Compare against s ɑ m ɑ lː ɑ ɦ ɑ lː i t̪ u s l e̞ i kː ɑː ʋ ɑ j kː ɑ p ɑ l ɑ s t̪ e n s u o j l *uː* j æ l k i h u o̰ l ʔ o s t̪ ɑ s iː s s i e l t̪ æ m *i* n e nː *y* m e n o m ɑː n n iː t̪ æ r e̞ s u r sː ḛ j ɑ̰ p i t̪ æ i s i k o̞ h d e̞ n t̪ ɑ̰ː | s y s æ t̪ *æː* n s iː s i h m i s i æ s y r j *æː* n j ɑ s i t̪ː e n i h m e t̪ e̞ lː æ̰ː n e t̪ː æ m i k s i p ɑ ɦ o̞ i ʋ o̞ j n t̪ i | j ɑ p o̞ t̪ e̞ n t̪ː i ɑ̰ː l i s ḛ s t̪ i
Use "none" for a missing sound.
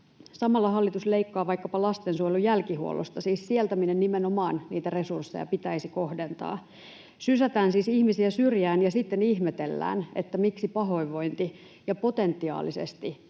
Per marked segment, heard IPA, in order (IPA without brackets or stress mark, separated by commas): u, i, i, æː, æː